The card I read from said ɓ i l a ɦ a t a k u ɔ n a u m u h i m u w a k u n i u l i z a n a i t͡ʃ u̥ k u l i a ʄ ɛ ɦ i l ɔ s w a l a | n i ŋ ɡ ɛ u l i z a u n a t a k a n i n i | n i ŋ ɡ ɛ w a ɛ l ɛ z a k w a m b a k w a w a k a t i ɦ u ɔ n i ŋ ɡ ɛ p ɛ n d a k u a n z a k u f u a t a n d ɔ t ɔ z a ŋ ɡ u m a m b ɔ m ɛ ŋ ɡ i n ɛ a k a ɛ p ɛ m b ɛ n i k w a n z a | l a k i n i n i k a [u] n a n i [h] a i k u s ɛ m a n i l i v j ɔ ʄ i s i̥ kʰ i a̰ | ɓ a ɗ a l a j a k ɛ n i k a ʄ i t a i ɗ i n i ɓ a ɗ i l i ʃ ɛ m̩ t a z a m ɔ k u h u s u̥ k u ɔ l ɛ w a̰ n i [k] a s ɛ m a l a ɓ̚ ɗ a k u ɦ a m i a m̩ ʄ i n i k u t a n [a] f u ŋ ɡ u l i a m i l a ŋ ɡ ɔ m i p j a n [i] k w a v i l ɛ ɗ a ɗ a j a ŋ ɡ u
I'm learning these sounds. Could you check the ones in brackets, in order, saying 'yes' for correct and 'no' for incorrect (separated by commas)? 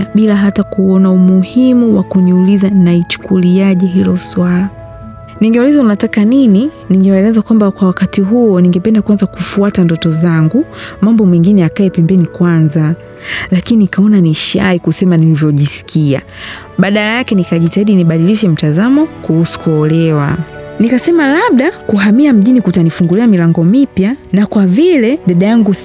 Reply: no, no, yes, no, no